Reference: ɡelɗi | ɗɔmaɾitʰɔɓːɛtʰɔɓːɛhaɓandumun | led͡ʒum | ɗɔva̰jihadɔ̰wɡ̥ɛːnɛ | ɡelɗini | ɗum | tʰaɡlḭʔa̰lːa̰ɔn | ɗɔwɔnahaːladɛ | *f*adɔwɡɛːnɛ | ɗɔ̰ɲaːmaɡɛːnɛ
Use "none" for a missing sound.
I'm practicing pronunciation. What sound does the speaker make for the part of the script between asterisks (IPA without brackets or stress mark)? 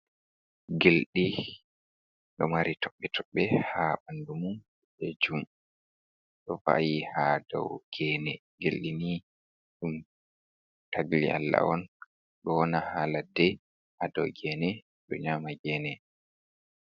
h